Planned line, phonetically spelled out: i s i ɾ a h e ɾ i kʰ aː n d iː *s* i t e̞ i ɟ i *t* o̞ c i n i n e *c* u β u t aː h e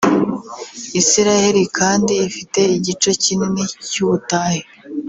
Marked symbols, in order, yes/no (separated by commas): no, no, yes